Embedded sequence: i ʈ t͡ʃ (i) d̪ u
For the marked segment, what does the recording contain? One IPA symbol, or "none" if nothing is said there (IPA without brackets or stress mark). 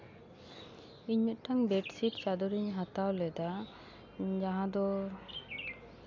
a